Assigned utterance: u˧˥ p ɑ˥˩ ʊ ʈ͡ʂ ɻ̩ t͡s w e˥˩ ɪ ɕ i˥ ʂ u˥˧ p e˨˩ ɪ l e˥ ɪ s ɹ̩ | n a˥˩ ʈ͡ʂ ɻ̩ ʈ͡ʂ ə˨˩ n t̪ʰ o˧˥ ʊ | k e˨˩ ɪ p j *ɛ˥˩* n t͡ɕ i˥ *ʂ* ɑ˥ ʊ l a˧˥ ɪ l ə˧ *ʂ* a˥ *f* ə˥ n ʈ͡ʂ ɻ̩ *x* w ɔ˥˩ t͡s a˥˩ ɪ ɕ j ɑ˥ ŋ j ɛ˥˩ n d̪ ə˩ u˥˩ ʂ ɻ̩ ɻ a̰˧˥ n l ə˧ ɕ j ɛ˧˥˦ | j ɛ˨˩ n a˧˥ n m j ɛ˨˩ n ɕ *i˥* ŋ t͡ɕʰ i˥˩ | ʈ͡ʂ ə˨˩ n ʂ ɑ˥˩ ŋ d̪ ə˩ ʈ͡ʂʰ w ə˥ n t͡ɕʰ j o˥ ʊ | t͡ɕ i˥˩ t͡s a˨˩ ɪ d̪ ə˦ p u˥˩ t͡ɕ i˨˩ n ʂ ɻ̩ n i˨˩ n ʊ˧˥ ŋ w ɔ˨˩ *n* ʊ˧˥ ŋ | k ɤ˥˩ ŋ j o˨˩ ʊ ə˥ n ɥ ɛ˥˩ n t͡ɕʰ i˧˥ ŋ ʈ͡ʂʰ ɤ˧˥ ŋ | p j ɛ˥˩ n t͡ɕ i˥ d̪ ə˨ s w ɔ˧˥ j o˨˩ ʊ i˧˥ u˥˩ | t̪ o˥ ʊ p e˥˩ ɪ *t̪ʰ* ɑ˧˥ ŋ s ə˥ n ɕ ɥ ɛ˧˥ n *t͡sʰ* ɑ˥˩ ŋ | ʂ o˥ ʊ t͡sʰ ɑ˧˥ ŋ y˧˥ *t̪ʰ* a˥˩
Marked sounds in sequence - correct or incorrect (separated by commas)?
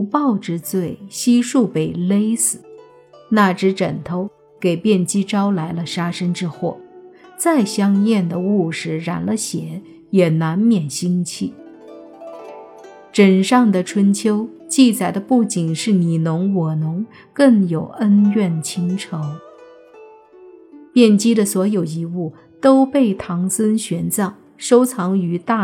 correct, incorrect, correct, incorrect, correct, correct, correct, correct, incorrect, incorrect